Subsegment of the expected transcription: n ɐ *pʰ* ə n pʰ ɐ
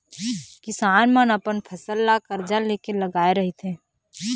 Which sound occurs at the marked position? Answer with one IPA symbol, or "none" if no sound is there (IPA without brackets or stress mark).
p